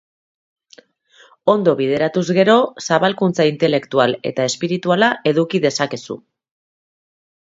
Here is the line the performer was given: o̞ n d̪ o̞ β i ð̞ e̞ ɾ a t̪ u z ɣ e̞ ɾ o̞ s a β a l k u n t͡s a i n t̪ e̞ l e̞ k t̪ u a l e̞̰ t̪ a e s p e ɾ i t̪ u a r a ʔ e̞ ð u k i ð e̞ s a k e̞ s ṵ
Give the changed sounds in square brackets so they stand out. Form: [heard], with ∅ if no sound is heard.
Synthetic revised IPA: o̞ n d̪ o̞ β i ð̞ e̞ ɾ a t̪ u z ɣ e̞ ɾ o̞ s a β a l k u n t͡s a i n t̪ e̞ l e̞ k t̪ u a l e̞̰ t̪ a e s p [i] ɾ i t̪ u a [l] a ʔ e̞ ð u k i ð e̞ s a k e̞ s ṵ